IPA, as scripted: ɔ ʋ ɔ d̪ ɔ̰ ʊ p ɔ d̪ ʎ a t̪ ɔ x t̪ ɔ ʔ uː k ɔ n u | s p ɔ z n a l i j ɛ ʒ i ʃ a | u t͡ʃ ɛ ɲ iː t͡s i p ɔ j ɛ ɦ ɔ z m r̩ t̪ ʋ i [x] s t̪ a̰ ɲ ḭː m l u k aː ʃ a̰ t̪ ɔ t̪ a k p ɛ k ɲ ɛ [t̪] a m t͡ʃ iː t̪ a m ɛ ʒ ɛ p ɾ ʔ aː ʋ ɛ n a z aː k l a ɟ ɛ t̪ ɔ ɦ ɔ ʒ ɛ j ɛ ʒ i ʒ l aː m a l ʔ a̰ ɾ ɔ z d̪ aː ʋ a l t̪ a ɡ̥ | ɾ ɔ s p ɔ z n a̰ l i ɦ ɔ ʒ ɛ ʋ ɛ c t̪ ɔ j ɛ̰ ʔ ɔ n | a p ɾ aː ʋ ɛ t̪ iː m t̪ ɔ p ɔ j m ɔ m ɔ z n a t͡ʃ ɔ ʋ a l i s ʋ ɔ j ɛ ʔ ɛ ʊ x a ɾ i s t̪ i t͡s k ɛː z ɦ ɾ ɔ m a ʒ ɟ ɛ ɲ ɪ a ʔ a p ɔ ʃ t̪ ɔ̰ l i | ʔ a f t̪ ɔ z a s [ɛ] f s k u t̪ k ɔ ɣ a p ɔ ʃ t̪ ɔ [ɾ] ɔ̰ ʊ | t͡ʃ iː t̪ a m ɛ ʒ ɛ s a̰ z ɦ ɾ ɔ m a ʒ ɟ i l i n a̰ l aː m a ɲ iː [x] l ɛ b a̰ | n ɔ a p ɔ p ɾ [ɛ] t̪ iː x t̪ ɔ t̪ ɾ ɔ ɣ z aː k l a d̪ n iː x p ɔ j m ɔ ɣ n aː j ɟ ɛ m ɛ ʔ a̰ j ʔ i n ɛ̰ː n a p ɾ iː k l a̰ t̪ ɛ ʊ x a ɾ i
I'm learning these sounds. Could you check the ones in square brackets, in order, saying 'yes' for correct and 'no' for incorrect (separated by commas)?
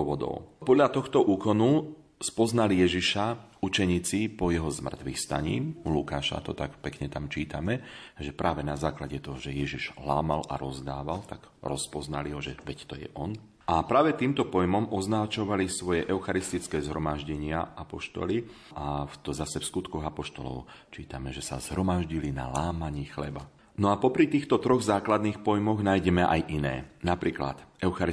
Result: yes, yes, yes, no, yes, no